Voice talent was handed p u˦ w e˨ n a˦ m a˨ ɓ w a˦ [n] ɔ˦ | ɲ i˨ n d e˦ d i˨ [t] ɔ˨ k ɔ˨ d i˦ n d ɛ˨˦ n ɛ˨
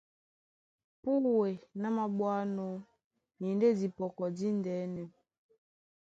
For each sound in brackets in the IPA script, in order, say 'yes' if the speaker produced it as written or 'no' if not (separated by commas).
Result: yes, no